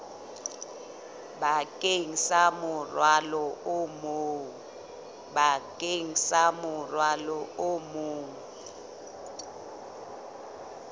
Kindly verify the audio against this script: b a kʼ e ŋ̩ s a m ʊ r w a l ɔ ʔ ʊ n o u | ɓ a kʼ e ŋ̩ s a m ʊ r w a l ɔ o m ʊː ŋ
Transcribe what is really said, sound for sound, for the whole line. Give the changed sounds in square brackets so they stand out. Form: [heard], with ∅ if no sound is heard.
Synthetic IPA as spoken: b a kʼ e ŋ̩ s a m ʊ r w a l ɔ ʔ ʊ [m] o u | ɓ a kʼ e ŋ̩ s a m ʊ r w a l ɔ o m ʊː ŋ